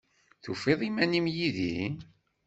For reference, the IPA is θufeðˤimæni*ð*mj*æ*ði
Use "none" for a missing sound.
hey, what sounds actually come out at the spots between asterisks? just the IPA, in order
none, i

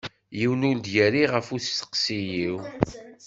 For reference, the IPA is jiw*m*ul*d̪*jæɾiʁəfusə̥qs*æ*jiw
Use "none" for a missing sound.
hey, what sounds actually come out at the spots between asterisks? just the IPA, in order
n, d̪, i

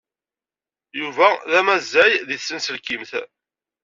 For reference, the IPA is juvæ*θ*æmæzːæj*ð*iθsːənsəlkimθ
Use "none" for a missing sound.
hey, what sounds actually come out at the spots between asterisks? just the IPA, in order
ð, ð

